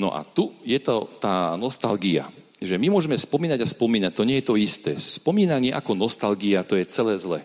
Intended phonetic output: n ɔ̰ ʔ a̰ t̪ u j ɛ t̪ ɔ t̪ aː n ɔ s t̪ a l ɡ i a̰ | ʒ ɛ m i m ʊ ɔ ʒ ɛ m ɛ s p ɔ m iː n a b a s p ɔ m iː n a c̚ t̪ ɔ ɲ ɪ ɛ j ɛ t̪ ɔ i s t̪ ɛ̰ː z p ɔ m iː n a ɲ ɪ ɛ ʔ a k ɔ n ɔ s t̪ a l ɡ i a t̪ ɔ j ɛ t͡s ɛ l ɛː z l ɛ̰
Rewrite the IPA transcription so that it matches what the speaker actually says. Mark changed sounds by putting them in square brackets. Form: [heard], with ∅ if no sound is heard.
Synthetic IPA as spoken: n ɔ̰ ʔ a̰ t̪ u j ɛ t̪ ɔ t̪ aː n ɔ s t̪ a l ɡ i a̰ | ʒ ɛ m i m ʊ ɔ ʒ ɛ m ɛ s p ɔ m iː n a [ɟ] a s p ɔ m iː n a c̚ t̪ ɔ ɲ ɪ ɛ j ɛ t̪ ɔ i s t̪ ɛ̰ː [s] p ɔ m iː n a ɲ ɪ ɛ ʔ a k ɔ n ɔ s t̪ a l ɡ i a t̪ ɔ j ɛ t͡s ɛ l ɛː z l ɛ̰